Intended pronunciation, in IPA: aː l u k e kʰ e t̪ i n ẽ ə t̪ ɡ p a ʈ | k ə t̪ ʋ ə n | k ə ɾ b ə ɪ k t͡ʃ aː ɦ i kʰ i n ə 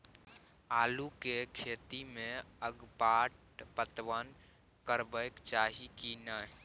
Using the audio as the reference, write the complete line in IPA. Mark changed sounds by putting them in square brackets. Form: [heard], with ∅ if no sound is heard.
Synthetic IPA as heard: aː l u k e kʰ e t̪ i [m] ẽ ə [∅] ɡ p a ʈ | [p] ə t̪ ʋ ə n | k ə ɾ b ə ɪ k t͡ʃ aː ɦ i [k] i n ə